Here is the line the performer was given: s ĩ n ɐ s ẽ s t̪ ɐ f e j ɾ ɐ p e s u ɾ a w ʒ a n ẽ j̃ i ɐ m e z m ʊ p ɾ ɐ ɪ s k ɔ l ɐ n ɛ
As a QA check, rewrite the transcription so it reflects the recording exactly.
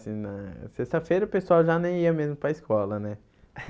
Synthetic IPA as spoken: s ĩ n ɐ s e s t̪ ɐ f e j ɾ ɐ p e s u a w ʒ a n ẽ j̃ i ɐ m e z m ʊ p ɾ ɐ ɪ s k ɔ l ɐ n ɛ